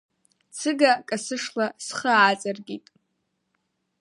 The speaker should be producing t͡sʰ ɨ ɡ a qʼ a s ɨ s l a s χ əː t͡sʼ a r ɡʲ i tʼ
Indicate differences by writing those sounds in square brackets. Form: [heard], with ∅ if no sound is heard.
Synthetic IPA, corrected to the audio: t͡sʰ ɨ ɡ a [kʼ] a s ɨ [ʂ] l a s χ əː t͡sʼ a r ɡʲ i tʼ